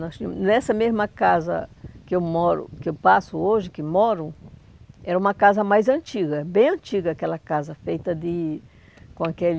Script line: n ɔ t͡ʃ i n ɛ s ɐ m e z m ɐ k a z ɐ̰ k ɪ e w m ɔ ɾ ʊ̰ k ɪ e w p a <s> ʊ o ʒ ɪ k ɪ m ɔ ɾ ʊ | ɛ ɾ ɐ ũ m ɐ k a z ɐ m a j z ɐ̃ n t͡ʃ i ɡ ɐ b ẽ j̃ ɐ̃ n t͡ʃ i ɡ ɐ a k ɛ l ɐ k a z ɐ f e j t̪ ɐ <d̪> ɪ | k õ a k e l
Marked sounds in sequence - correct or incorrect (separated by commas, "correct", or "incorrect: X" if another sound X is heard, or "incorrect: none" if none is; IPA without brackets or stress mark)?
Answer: correct, correct